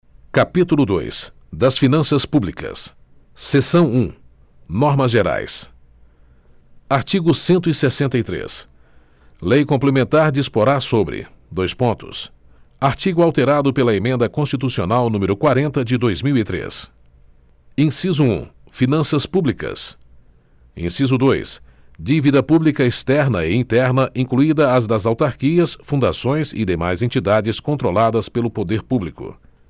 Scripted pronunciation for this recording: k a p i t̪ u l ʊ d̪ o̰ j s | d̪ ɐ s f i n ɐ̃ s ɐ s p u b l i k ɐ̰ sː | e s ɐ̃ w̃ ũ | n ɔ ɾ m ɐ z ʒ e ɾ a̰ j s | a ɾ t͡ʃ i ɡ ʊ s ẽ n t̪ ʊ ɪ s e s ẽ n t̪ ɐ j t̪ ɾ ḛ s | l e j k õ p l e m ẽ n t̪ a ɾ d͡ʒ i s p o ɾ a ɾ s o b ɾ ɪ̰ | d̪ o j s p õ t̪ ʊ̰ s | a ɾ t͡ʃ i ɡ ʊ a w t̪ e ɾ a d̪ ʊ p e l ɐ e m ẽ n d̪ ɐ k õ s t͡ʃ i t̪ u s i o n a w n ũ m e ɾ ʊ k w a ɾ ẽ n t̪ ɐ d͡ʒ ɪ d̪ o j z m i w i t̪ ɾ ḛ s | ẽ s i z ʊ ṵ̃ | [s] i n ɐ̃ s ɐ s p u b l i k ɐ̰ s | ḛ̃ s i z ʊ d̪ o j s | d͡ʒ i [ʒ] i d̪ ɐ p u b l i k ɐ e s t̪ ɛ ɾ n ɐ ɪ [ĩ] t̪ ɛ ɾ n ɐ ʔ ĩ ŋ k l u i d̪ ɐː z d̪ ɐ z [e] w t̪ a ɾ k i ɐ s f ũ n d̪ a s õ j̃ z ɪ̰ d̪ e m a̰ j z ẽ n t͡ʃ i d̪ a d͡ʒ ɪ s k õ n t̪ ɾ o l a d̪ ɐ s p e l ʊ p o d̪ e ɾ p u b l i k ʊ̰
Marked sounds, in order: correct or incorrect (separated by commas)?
incorrect, incorrect, correct, incorrect